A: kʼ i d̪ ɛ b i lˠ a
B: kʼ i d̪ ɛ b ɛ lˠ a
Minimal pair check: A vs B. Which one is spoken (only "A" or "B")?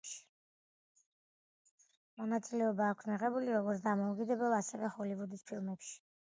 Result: B